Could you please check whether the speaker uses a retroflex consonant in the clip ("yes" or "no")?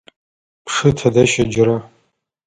yes